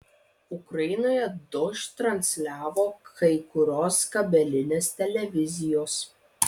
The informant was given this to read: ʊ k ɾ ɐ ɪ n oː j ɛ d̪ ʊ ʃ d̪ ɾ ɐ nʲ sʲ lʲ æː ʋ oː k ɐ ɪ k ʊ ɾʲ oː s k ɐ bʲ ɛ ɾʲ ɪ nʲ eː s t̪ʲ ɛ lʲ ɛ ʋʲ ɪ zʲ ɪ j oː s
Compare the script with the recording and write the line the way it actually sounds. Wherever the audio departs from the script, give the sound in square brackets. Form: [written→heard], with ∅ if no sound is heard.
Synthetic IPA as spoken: ʊ k ɾ ɐ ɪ n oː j ɛ d̪ ʊ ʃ [d̪→t̪] ɾ ɐ nʲ sʲ lʲ æː ʋ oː k ɐ ɪ k ʊ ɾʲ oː s k ɐ bʲ ɛ [ɾʲ→lʲ] ɪ nʲ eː s t̪ʲ ɛ lʲ ɛ ʋʲ ɪ zʲ ɪ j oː s